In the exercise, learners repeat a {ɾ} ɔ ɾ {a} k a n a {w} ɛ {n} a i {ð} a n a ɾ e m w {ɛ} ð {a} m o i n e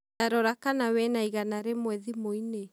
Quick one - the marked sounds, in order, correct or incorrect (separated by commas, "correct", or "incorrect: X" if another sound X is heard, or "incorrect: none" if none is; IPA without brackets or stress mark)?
correct, correct, correct, correct, incorrect: ɣ, correct, incorrect: i